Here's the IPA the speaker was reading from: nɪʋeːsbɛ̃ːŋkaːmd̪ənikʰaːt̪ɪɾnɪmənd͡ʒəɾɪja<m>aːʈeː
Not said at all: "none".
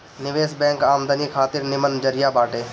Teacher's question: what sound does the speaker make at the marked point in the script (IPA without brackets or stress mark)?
b